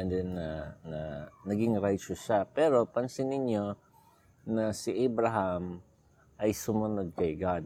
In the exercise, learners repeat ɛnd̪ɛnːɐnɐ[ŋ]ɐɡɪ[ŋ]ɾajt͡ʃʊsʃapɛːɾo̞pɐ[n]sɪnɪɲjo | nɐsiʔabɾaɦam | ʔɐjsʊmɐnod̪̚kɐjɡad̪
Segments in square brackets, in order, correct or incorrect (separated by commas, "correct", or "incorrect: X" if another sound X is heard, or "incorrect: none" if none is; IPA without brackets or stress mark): incorrect: n, correct, correct